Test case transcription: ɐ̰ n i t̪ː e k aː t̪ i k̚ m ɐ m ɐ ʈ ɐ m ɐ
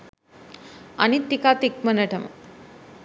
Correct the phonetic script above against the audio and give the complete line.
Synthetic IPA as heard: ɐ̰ n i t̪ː i k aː t̪ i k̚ m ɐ n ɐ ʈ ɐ m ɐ